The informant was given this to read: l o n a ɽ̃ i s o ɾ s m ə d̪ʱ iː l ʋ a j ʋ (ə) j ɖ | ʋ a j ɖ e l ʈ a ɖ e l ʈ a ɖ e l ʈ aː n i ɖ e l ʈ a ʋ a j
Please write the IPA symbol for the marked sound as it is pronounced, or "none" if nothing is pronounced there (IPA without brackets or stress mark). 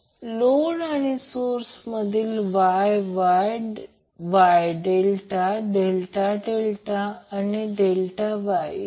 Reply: a